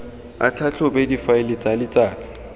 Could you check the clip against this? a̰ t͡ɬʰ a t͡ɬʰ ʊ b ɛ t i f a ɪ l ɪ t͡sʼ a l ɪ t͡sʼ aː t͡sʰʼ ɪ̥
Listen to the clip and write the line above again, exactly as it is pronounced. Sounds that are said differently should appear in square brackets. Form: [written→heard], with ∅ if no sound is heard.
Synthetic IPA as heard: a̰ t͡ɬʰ a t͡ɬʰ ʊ b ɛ [t→d] i f a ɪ l ɪ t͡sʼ a l ɪ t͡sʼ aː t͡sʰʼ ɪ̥